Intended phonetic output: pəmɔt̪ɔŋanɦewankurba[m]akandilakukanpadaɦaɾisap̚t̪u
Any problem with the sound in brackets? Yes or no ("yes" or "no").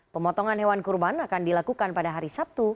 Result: yes